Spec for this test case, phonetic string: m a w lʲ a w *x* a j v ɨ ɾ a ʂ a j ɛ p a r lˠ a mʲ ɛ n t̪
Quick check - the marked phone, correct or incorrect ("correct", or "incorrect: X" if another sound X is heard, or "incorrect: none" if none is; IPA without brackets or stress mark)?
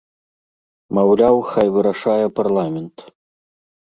correct